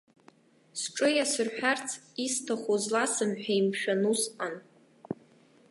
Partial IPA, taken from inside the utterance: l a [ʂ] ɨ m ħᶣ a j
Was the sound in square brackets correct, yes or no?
no